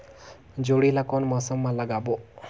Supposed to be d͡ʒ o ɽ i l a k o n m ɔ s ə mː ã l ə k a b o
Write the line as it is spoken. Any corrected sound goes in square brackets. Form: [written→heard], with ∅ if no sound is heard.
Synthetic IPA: d͡ʒ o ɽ i l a k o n m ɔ s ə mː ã l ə [k→ɡ] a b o